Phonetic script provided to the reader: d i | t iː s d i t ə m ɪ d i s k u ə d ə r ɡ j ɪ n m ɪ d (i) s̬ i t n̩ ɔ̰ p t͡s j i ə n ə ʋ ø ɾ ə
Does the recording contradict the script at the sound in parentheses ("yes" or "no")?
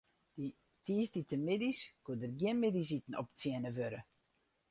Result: no